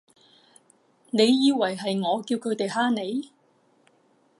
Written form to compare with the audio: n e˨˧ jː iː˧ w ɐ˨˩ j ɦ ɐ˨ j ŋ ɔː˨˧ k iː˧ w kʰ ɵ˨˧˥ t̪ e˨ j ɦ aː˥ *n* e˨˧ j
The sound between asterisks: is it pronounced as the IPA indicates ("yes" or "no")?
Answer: yes